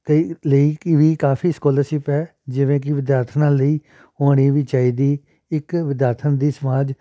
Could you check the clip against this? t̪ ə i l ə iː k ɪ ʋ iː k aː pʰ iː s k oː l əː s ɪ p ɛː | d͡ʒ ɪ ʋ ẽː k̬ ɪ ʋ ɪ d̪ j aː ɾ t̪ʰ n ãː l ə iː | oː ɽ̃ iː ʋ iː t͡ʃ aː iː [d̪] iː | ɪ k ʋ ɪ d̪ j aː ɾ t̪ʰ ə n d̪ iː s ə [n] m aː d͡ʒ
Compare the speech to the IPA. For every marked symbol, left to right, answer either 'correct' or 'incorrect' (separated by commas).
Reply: correct, incorrect